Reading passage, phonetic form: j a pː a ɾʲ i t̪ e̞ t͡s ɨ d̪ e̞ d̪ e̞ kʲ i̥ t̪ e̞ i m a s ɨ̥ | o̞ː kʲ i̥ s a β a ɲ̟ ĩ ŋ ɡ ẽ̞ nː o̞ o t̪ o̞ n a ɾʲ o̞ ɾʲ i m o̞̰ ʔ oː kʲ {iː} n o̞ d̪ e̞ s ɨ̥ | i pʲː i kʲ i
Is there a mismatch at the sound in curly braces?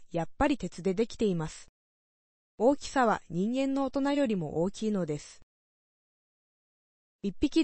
no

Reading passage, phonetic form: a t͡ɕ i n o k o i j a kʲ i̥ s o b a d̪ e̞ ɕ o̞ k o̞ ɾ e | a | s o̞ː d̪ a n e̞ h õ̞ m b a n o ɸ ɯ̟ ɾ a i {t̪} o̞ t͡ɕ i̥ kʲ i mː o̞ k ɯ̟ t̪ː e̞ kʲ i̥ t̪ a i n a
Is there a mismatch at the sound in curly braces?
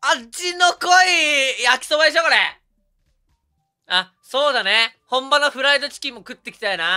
yes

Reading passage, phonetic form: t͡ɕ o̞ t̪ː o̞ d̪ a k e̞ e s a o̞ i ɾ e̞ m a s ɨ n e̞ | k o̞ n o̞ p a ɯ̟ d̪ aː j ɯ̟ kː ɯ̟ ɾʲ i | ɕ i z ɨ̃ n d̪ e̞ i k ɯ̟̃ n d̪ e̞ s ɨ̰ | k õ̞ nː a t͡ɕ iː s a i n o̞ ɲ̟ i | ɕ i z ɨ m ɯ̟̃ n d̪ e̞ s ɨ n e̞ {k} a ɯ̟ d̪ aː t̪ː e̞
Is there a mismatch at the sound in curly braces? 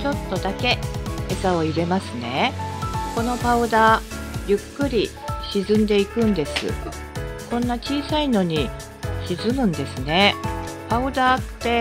yes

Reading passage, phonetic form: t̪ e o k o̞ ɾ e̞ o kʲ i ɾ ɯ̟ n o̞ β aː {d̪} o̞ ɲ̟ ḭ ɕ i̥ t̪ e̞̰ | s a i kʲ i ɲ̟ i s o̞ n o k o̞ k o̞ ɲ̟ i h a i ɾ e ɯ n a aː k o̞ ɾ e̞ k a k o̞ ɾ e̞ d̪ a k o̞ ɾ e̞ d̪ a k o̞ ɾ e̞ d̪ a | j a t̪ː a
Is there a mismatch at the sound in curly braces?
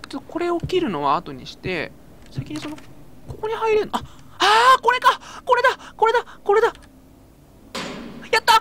yes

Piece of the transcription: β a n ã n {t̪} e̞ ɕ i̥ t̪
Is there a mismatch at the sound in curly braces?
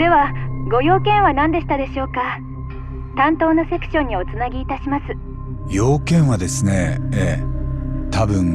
yes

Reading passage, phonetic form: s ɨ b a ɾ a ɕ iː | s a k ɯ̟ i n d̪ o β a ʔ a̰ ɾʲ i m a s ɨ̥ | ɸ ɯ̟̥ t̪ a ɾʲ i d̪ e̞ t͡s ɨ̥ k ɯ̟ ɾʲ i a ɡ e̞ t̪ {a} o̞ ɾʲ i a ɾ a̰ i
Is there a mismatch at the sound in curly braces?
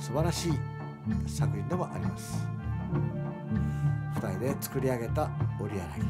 no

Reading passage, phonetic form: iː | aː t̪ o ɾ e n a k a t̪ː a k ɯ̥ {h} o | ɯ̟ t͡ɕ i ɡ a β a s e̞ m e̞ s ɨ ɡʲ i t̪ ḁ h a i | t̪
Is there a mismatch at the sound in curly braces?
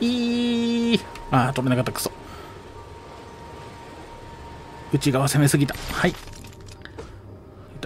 yes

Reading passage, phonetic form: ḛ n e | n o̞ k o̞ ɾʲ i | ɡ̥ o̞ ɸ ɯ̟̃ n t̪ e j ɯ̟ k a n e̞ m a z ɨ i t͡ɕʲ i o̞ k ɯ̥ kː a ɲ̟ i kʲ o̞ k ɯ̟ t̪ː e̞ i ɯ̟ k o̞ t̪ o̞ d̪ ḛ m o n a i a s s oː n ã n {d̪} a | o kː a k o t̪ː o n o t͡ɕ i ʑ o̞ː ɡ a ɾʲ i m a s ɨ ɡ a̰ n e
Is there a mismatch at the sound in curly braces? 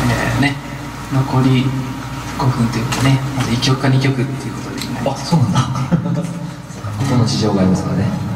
no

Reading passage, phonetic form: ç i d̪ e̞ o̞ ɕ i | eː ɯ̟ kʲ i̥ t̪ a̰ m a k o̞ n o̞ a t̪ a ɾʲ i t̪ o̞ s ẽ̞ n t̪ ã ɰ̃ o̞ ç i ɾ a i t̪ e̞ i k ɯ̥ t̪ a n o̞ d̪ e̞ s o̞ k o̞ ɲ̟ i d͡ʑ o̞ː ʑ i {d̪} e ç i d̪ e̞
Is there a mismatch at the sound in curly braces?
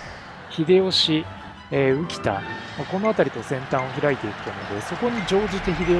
yes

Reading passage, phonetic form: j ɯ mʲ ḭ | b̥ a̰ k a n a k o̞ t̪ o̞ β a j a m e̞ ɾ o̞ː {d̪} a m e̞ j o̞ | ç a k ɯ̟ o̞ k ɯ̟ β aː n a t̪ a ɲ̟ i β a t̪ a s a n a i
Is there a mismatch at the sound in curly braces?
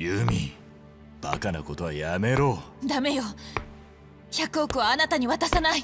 no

